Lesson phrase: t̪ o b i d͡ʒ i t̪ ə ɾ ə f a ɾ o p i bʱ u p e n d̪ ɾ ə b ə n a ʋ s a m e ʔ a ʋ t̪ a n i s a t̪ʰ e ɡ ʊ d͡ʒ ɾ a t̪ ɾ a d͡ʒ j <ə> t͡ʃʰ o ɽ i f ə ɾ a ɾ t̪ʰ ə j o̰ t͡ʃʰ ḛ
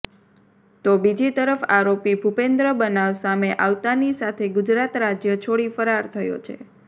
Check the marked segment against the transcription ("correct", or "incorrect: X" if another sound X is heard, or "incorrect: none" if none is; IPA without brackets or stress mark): correct